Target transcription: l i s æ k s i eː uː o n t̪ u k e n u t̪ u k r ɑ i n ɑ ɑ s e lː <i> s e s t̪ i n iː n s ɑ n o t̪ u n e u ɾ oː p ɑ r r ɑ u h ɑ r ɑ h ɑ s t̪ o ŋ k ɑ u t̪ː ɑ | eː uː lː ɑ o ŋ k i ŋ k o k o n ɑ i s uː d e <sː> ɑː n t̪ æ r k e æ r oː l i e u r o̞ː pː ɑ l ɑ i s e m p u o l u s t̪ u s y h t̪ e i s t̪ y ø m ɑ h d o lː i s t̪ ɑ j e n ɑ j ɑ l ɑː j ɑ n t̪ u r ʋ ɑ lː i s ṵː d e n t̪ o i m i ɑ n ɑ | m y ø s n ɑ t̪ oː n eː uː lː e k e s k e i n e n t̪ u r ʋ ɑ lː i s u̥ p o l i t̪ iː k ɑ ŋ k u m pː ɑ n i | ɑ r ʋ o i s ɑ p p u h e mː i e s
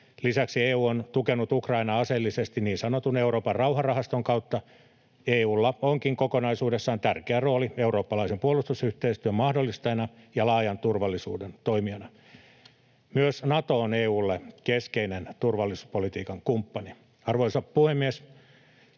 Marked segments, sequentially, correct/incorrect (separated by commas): correct, correct